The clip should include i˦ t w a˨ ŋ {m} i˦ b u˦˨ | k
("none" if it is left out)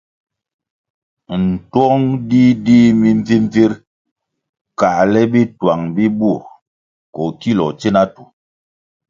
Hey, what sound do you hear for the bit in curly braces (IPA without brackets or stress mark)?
b